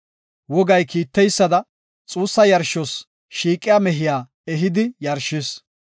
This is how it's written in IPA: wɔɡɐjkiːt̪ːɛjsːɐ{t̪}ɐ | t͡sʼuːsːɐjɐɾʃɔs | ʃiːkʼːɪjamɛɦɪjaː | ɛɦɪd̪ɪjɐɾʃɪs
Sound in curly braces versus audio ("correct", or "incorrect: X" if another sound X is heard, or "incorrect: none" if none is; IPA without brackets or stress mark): incorrect: d̪